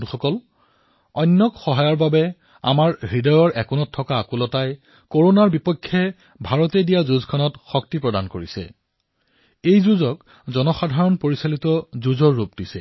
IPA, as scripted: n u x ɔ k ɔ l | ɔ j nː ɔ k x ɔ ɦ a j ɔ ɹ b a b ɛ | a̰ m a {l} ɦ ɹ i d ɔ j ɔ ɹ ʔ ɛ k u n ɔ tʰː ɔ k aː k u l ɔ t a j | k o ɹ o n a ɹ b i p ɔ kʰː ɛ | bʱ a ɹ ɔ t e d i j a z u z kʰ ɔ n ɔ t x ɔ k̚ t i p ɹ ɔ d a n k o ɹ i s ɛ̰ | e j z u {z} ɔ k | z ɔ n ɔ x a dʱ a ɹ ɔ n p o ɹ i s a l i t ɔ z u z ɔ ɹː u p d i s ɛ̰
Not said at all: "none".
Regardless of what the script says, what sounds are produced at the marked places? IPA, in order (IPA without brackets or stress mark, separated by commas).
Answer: ɹ, z